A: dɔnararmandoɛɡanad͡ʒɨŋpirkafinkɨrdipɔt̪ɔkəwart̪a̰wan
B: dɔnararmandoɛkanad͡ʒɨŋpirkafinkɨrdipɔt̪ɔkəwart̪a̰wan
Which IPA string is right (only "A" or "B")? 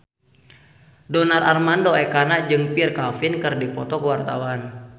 B